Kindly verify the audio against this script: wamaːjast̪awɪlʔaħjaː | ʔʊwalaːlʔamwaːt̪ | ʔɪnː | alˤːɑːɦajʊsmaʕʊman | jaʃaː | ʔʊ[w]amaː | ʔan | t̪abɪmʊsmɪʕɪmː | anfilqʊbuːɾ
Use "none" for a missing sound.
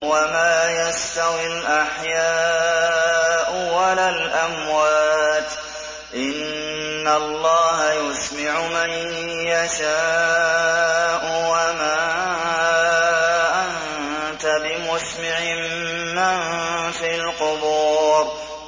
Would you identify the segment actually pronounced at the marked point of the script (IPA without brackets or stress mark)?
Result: w